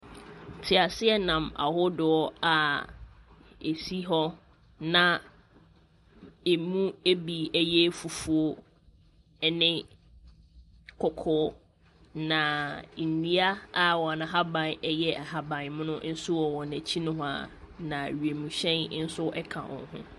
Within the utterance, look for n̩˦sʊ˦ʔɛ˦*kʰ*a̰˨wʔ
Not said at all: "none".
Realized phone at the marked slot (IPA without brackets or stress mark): kʰ